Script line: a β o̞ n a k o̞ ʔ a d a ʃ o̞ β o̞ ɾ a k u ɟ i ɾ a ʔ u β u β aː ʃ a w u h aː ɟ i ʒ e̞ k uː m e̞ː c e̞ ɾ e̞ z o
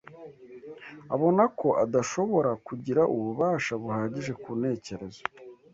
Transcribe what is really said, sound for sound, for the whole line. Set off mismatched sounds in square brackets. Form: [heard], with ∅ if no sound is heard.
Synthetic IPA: a β o̞ n a k o̞ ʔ a d a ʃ o̞ β o̞ ɾ a k u ɟ i ɾ a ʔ u β u β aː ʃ a [β] u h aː ɟ i ʒ e̞ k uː [n] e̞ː c e̞ ɾ e̞ z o